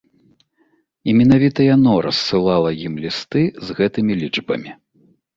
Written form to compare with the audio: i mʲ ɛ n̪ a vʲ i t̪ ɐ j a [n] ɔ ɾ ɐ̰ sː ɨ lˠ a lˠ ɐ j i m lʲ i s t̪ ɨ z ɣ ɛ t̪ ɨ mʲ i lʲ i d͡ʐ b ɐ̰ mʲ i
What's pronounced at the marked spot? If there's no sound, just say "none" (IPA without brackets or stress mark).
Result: n